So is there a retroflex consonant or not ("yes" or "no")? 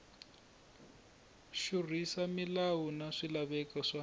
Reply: yes